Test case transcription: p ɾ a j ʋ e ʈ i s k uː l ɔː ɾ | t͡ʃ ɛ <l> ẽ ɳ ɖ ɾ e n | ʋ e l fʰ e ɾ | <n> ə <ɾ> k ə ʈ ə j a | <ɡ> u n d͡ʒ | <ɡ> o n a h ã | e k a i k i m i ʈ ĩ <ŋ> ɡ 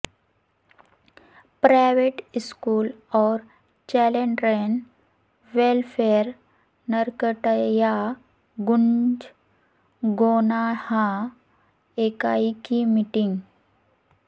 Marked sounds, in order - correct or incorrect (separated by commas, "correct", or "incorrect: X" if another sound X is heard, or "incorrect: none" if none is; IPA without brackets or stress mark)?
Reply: correct, correct, correct, correct, correct, correct